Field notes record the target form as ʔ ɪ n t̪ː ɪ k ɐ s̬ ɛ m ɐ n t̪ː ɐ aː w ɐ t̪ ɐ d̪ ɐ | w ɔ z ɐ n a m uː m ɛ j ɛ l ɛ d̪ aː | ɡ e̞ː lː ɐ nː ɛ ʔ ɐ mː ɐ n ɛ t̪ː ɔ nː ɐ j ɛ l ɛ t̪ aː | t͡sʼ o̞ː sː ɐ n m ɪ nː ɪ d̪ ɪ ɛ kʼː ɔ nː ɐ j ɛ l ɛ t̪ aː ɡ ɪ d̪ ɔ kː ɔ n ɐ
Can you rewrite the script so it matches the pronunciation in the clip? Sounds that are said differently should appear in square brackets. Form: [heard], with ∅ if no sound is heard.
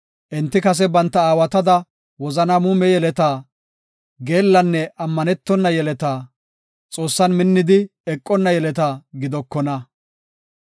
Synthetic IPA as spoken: ʔ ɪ n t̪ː ɪ k ɐ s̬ ɛ [b] ɐ n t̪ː ɐ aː w ɐ t̪ ɐ d̪ ɐ | w ɔ z ɐ n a m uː m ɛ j ɛ l ɛ [t̪] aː | ɡ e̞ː lː ɐ nː ɛ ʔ ɐ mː ɐ n ɛ t̪ː ɔ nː ɐ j ɛ l ɛ t̪ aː | t͡sʼ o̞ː sː ɐ n m ɪ nː ɪ d̪ ɪ ɛ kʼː ɔ nː ɐ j ɛ l ɛ t̪ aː ɡ ɪ d̪ ɔ kː ɔ n ɐ